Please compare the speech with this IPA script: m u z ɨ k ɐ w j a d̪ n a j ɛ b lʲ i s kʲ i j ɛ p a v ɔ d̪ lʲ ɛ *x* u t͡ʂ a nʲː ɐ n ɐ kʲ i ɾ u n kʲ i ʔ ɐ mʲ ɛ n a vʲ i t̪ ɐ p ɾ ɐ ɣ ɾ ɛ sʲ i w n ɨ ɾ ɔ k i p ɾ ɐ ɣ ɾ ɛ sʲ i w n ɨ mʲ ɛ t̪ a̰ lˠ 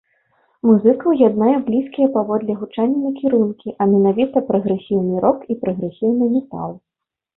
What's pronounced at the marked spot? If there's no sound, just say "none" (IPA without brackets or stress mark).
ɣ